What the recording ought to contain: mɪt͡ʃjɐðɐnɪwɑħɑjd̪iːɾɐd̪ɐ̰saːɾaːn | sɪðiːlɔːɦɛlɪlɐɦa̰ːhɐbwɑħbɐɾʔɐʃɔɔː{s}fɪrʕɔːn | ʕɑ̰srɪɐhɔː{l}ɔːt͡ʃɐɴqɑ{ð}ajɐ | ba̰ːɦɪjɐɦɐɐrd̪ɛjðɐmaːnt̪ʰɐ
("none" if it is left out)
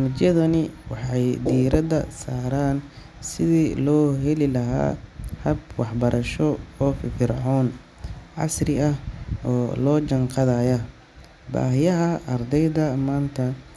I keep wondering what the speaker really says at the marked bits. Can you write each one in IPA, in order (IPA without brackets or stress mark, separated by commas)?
f, l, ð